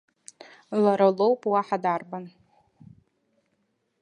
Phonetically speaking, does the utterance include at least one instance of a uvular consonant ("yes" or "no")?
no